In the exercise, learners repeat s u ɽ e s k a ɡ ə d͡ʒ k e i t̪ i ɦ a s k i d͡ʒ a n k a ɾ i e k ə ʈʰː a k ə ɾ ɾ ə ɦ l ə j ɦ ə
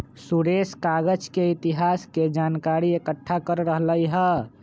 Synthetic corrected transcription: s u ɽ e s k a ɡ ə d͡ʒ k e i t̪ i ɦ a s k e d͡ʒ a n k a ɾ i e k ə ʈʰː a k ə ɾ ɾ ə ɦ l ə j ɦ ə